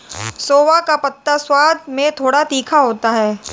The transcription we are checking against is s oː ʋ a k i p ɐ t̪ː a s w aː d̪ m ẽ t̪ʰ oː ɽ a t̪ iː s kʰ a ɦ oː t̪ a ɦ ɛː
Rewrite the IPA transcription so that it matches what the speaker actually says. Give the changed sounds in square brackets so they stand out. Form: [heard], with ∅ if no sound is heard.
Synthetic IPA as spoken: s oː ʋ a k [a] p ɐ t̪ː a s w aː d̪ m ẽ t̪ʰ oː ɽ a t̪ iː [∅] kʰ a ɦ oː t̪ a ɦ ɛː